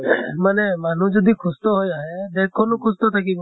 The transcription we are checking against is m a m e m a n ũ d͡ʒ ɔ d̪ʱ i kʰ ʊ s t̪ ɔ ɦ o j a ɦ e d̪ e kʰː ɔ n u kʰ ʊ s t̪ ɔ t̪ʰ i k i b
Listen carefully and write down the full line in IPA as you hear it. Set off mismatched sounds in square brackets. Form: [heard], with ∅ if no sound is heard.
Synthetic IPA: m a [n] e m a n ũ d͡ʒ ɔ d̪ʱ i kʰ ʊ s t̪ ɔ ɦ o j a ɦ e d̪ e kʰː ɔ n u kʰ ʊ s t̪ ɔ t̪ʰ [a] k i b